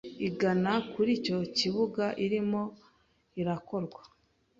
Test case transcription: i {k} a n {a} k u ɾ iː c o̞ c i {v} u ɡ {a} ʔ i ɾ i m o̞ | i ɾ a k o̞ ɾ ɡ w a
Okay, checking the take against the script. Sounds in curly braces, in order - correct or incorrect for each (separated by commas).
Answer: incorrect, correct, incorrect, correct